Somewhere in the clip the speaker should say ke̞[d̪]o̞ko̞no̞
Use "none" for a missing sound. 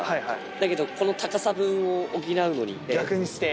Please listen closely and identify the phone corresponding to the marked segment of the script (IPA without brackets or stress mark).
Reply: d̪